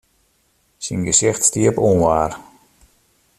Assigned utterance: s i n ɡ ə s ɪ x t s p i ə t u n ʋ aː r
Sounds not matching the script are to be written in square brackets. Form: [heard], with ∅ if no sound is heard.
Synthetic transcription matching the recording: s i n ɡ ə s ɪ x t s [t] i ə [p] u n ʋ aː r